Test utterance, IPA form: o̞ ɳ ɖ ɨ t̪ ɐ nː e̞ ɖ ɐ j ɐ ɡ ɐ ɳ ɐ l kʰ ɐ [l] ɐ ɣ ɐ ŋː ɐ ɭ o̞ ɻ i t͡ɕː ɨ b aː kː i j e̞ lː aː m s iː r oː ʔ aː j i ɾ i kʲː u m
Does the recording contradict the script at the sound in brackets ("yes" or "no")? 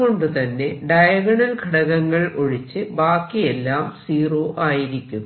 yes